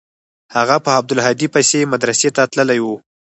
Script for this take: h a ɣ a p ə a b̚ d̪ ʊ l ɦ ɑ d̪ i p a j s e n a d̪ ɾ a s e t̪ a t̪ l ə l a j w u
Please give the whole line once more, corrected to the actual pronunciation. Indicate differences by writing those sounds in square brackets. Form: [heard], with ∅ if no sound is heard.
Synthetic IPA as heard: h a ɣ a p ə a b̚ d̪ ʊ l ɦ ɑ d̪ i p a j s e [m] a d̪ ɾ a s e t̪ a t̪ l ə l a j w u

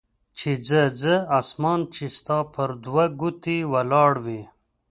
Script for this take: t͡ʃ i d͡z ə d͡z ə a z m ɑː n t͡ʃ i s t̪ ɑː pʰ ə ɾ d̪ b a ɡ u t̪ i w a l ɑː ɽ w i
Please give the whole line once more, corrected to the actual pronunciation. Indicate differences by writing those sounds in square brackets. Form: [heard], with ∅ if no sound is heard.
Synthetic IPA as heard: t͡ʃ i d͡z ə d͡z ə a [s] m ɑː n t͡ʃ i s t̪ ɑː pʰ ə ɾ d̪ [w] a ɡ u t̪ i w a l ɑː ɽ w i

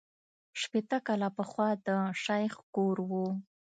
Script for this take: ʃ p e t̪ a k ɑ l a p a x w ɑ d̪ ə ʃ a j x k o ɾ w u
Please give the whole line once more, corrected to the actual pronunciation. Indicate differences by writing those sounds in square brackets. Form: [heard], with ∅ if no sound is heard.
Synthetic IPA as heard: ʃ p e t̪ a k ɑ l a p [ə] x w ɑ d̪ ə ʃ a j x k o ɾ w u

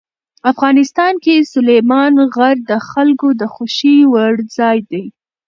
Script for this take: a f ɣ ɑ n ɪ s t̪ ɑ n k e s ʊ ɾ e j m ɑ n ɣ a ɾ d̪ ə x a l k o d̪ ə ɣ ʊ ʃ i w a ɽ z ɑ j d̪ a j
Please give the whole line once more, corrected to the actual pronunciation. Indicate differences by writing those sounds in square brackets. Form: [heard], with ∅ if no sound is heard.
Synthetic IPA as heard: a f ɣ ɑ n ɪ s t̪ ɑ n k e s ʊ [l] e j m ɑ n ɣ a ɾ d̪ ə x a l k o d̪ ə [x] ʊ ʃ i w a ɽ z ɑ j d̪ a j

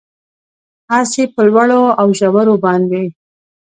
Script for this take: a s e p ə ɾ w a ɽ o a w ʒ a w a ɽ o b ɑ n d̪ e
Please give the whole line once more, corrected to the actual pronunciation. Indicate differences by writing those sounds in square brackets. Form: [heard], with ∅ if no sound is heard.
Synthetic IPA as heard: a s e p ə [l] w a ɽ o a w ʒ a w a [ɾ] o b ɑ n d̪ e

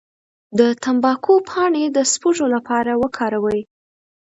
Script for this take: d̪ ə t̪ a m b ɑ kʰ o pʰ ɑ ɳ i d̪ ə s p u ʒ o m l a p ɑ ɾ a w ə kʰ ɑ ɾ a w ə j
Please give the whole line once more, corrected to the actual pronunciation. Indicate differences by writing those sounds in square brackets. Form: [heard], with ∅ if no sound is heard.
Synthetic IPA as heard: d̪ ə t̪ a m b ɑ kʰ o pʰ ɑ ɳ [e] d̪ ə s p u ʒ o [∅] l a p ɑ ɾ a w ə kʰ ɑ ɾ a w ə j

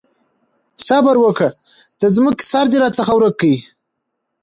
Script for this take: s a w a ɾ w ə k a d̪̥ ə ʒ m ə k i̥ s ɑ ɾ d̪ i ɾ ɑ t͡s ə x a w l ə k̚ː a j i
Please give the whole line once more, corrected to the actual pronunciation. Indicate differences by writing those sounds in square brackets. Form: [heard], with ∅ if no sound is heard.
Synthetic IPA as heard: s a [b] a ɾ w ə k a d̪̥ ə [z] m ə k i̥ s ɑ ɾ d̪ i ɾ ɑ t͡s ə x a w [ɾ] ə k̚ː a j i

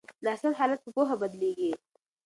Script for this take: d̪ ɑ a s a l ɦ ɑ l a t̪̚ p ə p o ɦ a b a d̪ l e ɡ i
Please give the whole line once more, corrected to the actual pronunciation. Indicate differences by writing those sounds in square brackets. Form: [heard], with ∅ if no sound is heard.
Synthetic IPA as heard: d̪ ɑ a s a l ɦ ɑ l a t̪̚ p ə p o ɦ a b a d̪ l e ɡ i

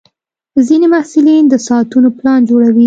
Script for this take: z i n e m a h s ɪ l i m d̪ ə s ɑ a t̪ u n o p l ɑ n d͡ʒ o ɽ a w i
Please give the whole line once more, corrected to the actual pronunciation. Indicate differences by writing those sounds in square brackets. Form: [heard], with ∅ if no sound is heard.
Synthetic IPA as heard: z i n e m a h s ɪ l i [n] d̪ ə s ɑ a t̪ u n o p l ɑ n d͡ʒ o ɽ a w i

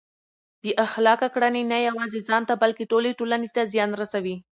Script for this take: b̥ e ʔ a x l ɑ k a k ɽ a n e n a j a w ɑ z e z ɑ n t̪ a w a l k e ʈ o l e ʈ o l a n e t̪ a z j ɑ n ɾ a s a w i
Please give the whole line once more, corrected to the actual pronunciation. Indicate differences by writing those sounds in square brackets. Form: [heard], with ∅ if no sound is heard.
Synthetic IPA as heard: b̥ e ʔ a x l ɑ k a k ɽ a n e n a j a w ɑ z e z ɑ n t̪ a [b] a l k e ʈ o l e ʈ o l a n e t̪ a z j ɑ n ɾ a s a w i

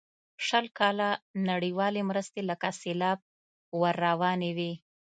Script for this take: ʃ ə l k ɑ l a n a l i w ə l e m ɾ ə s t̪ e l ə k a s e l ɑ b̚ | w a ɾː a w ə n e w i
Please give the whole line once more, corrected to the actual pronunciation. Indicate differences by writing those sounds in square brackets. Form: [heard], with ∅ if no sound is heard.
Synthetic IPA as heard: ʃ ə l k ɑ l a n a [ɽ] i w [ɑ] l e m ɾ ə s t̪ e l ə k a s e l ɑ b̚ | w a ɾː a w [ɑ] n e w i

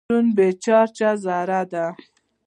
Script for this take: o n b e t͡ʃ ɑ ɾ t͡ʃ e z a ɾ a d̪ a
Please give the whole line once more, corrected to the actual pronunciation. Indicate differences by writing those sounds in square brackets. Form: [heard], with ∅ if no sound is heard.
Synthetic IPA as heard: [u] n b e t͡ʃ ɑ ɾ t͡ʃ [a] z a ɾ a d̪ a

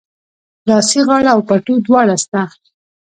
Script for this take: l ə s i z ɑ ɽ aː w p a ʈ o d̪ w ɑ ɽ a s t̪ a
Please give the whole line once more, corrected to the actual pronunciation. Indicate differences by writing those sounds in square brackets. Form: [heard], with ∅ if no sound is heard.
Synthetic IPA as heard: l [ɑ] s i [ɣ] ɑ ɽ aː w p a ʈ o d̪ w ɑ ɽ a s t̪ a

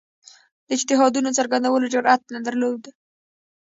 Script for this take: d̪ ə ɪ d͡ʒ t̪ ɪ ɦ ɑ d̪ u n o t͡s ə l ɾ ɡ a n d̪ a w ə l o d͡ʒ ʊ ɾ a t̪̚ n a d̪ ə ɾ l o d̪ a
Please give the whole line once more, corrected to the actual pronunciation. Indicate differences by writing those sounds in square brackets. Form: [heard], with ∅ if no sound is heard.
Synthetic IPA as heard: d̪ ə ɪ d͡ʒ t̪ ɪ ɦ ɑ d̪ u n o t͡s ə [∅] ɾ ɡ a n d̪ a w ə l o d͡ʒ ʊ ɾ a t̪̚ n a d̪ ə ɾ l o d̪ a

